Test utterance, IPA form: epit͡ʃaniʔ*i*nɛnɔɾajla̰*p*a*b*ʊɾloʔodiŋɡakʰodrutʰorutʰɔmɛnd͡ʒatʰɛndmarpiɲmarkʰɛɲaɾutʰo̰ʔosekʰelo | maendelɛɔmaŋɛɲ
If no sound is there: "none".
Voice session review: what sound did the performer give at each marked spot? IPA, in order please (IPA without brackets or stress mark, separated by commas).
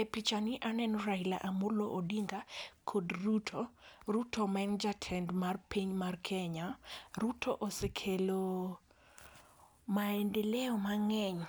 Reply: a, ʔ, m